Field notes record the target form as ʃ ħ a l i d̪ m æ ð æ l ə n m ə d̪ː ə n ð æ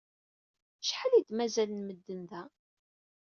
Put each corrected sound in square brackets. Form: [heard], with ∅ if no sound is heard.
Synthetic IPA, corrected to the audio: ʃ ħ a l i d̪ m æ [z] æ l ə n m ə d̪ː ə n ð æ